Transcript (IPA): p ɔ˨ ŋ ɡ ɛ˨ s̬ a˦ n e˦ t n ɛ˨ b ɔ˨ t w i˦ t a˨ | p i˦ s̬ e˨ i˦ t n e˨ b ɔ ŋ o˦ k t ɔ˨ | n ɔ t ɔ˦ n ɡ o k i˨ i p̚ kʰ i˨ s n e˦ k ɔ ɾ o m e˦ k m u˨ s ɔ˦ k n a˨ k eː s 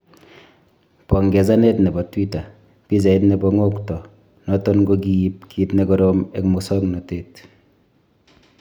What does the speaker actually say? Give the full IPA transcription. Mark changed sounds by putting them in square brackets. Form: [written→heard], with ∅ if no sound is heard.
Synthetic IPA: p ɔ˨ ŋ ɡ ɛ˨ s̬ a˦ n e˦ t n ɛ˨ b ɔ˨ t w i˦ t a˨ | p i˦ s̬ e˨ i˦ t n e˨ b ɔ ŋ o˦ k t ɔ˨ | n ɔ t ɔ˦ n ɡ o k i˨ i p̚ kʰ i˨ [s→t] n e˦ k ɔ ɾ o m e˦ k m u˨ s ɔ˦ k n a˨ [k→t] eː [s→t]

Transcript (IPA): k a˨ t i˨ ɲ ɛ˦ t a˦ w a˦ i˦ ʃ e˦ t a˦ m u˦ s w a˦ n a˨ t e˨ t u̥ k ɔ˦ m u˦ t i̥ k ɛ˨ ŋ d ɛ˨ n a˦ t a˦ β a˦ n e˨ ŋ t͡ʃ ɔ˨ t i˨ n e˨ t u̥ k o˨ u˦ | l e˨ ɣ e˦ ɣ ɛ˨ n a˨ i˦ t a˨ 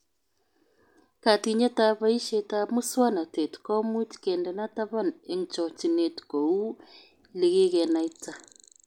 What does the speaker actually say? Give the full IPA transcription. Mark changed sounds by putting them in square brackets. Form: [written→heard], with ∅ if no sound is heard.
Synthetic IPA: k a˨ t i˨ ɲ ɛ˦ t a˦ [w→β] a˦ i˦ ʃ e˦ t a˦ m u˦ s w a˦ n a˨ t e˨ t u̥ k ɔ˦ m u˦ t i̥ k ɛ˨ [ŋ→n] d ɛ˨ n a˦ t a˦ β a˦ n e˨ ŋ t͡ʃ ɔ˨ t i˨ n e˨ t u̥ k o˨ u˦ | l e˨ ɣ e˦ ɣ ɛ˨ n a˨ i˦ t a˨

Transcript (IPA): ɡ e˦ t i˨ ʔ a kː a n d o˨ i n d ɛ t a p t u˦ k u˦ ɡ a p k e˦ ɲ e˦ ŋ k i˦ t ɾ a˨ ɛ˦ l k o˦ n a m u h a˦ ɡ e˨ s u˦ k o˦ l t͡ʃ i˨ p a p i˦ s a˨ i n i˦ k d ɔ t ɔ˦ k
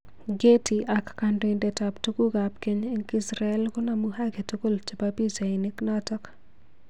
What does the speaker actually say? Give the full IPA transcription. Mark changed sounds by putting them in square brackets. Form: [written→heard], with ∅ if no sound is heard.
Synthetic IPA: ɡ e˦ t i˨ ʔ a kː a n d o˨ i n d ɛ t a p t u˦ k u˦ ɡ a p k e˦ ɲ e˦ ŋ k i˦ [t→s] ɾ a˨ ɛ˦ l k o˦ n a m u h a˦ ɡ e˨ [s→t] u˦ k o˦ l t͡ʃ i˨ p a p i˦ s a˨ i n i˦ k [d→n] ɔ t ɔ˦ k

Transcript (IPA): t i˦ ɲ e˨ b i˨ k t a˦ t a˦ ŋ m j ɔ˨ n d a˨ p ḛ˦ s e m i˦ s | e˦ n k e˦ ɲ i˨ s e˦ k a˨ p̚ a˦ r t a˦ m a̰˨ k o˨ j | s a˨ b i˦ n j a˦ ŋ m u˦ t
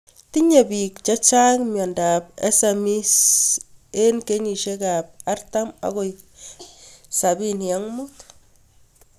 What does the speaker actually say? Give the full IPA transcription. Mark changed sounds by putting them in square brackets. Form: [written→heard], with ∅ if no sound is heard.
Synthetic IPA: t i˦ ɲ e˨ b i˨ k [t→t͡ʃ] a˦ [t→t͡ʃ] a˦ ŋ m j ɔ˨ n d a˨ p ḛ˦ s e m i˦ s | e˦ n k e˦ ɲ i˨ [s→ʃ] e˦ k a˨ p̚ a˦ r t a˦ m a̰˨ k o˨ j | s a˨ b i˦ n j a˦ ŋ m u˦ t

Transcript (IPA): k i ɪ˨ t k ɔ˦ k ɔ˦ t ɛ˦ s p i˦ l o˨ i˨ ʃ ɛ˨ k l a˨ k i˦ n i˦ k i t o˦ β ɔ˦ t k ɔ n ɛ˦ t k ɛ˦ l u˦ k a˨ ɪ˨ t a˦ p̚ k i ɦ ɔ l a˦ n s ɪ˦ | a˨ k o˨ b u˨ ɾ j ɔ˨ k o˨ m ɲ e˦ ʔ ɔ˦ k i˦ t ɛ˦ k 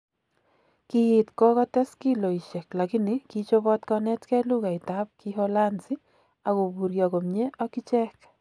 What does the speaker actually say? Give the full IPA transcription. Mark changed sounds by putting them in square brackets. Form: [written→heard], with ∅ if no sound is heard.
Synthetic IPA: k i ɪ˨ t k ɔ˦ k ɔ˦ t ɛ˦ s [p→k] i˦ l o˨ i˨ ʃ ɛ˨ k l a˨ k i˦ n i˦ k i [t→t͡ʃ] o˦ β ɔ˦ t k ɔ n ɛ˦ t k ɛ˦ l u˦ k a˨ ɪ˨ t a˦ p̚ k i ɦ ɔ l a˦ n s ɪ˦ | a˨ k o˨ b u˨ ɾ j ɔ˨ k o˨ m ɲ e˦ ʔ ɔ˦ k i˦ [t→t͡ʃ] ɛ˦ k

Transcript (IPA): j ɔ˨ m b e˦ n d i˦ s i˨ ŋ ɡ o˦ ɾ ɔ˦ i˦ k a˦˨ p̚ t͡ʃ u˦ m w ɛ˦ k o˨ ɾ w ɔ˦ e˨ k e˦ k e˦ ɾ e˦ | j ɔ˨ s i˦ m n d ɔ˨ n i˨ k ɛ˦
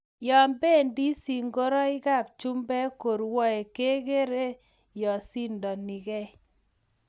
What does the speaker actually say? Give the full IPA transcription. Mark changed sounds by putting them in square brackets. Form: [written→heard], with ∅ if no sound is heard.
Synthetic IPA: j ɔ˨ m b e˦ n d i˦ s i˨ ŋ ɡ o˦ ɾ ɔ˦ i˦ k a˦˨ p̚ t͡ʃ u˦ m [w→b] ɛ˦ k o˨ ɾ w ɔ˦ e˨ k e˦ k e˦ ɾ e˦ | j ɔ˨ s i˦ [m→∅] n d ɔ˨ n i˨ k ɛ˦

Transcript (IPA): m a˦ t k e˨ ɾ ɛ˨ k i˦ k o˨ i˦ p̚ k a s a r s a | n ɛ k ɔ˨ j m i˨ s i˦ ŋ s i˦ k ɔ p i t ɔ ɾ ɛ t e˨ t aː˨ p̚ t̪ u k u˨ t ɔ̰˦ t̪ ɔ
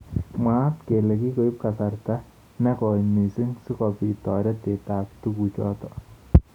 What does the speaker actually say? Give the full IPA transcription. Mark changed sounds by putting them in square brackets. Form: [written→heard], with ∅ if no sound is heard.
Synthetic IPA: m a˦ t k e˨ [ɾ→l] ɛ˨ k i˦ k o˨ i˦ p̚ k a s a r [s→t] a | n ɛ k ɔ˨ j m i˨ s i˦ ŋ s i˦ k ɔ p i t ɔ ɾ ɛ t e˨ t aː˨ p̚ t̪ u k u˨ [t→t͡ʃ] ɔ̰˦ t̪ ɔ

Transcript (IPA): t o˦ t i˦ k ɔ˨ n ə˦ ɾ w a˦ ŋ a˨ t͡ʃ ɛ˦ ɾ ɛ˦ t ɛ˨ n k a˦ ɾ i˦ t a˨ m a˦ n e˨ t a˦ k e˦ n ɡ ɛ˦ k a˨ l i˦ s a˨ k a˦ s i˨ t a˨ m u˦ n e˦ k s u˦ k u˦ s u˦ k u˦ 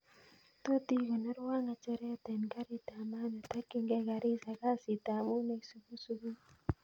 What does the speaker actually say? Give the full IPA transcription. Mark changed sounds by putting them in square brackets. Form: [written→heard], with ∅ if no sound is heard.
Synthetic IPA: t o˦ t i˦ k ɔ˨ n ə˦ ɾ w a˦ ŋ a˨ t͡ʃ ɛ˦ ɾ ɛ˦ t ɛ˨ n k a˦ ɾ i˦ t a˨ m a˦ n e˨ t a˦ k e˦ [n→ŋ] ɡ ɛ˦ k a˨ [l→ɾ] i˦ s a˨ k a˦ s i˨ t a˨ m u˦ n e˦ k s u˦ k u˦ s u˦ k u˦

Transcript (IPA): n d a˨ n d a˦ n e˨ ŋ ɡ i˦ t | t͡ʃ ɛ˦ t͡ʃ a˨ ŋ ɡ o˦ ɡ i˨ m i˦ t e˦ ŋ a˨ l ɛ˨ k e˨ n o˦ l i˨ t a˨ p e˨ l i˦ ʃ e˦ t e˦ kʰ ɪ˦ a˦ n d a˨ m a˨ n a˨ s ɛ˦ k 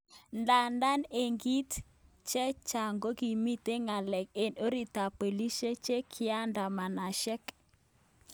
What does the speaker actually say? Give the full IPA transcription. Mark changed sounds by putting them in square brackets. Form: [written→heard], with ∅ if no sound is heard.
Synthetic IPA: n d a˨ n d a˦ n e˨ ŋ ɡ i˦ t | t͡ʃ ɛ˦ t͡ʃ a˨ ŋ ɡ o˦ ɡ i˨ m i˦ t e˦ ŋ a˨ l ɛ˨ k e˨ n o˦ [l→ɾ] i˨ t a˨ p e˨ l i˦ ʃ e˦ [t→t͡ʃ] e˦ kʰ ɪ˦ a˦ n d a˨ m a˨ n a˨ [s→ʃ] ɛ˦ k

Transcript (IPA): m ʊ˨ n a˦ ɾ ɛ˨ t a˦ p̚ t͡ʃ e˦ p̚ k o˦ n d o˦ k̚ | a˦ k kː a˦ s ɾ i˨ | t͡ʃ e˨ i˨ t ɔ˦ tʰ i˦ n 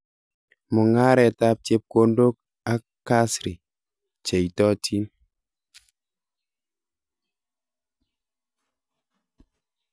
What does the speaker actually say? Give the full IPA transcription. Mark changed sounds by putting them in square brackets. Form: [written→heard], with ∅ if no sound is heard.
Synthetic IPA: m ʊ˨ [n→ŋ] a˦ ɾ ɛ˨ t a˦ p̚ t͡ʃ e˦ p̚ k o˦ n d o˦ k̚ | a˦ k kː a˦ s ɾ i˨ | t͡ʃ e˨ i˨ t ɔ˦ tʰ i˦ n

